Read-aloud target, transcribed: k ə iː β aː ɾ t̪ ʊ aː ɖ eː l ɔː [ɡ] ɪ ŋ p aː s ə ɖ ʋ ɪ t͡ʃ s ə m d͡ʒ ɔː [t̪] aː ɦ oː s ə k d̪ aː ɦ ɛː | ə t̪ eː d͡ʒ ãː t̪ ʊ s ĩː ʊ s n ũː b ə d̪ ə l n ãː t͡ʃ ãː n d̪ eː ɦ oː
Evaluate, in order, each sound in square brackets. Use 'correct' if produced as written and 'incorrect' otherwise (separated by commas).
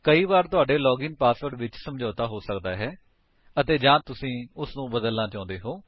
correct, correct